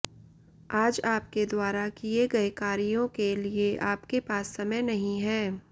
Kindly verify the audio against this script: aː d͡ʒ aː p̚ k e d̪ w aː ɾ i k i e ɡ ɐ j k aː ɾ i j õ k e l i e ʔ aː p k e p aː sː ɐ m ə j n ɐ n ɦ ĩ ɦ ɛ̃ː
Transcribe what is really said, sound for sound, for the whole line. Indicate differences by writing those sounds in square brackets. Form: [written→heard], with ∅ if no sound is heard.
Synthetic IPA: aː d͡ʒ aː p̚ k e d̪ w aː ɾ [i→a] k i e ɡ ɐ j k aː ɾ i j õ k e l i e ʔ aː p k e p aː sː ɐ m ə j n ɐ [n→∅] ɦ ĩ ɦ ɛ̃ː